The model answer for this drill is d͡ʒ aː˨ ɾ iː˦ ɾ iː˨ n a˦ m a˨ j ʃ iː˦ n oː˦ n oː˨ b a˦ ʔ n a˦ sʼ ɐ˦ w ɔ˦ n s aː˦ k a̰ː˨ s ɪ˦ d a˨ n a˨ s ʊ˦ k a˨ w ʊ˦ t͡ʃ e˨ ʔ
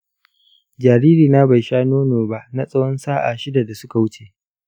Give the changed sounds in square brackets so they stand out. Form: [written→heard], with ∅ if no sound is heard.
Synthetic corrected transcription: d͡ʒ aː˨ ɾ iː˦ ɾ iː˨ n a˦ [m→b] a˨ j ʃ [iː˦→aː˦] n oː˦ n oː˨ b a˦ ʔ n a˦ sʼ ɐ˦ w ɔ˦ n s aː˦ [k→ʔ] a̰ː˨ [s→ʃ] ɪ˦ d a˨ [n→d] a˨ s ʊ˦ k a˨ w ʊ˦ t͡ʃ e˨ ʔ